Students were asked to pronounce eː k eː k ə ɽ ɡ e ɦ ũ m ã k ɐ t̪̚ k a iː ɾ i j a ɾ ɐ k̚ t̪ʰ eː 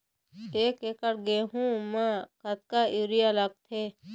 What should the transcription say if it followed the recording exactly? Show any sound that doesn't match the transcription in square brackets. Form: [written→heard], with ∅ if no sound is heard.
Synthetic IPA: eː k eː k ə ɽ ɡ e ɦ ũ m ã k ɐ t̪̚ k a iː ɾ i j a [ɾ→l] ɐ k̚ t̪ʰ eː